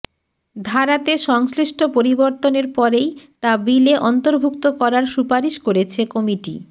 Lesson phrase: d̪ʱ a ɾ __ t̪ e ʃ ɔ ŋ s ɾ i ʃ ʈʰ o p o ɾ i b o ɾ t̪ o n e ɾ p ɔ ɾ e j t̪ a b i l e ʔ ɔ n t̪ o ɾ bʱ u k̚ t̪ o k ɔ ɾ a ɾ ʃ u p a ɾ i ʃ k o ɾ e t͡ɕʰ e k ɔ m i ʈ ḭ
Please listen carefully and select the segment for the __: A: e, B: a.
B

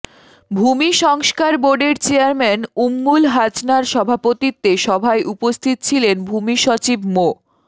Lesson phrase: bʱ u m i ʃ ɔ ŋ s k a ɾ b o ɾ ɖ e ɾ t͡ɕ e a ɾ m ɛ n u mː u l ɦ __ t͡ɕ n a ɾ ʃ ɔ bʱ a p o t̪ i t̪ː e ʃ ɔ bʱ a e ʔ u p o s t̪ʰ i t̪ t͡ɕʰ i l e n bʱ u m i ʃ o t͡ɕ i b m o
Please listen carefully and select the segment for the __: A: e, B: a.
B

